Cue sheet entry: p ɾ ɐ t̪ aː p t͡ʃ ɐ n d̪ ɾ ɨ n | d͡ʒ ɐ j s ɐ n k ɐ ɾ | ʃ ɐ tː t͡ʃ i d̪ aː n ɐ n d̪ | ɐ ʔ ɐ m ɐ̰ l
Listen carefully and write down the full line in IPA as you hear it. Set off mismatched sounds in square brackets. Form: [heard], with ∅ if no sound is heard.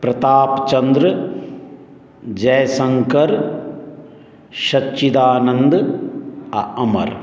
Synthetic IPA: p ɾ ɐ t̪ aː p t͡ʃ ɐ n d̪ ɾ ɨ [∅] | d͡ʒ ɐ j s ɐ [ŋ] k ɐ ɾ | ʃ ɐ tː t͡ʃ i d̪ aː n ɐ n d̪ | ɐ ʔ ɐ m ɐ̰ [ɾ]